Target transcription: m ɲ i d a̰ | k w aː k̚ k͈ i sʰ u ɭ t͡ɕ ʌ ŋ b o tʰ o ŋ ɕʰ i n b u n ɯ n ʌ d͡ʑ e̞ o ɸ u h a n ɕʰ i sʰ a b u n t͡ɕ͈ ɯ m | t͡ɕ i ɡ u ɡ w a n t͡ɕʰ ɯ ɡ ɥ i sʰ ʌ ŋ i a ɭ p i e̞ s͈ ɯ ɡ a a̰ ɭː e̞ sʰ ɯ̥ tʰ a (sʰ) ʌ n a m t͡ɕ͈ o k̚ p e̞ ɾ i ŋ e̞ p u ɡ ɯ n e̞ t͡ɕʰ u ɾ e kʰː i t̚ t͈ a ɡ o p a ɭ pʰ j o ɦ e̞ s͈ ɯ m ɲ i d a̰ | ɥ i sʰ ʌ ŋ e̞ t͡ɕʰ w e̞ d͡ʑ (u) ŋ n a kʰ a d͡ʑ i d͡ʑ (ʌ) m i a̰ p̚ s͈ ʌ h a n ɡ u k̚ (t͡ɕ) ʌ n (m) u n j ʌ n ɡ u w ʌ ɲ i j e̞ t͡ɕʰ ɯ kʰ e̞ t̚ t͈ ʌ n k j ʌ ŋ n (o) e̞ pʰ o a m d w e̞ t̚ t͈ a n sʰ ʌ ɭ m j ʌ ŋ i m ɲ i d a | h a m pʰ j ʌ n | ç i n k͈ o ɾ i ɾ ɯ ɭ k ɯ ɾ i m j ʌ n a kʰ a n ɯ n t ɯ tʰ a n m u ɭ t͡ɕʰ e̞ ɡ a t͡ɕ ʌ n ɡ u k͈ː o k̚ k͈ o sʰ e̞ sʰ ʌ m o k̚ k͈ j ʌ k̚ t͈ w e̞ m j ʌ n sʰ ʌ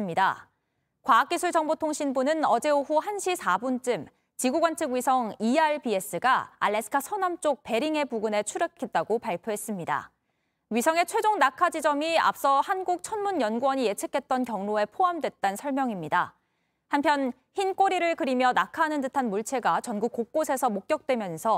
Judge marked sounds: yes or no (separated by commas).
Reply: yes, no, yes, no, yes, yes